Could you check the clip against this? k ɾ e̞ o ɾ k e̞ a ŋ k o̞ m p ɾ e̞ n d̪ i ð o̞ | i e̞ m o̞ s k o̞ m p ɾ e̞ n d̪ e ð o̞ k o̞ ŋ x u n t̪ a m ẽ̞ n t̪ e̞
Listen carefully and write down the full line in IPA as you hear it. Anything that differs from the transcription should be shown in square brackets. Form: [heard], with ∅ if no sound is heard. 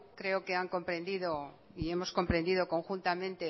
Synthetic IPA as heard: k ɾ e̞ o [∅] k e̞ a ŋ k o̞ m p ɾ e̞ n d̪ i ð o̞ | i e̞ m o̞ s k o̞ m p ɾ e̞ n d̪ [i] ð o̞ k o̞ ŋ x u n t̪ a m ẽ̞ n t̪ e̞